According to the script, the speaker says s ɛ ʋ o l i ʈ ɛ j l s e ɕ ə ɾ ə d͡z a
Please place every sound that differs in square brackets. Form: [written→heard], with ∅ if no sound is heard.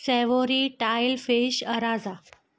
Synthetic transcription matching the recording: s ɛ ʋ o [l→ɾ] i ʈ [ɛ→a] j l [s→f] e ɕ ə ɾ [ə→a] d͡z a